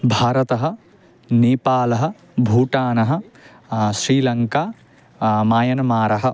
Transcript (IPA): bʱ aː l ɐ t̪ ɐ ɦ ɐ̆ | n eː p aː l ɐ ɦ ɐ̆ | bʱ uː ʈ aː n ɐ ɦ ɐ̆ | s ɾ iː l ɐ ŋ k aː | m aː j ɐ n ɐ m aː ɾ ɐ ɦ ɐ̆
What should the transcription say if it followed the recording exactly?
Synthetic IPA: bʱ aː ɾ ɐ t̪ ɐ ɦ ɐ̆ | n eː p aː l ɐ ɦ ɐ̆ | bʱ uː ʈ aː n ɐ ɦ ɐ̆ | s ɾ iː l ɐ ŋ k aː | m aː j ɐ n ɐ m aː ɾ ɐ ɦ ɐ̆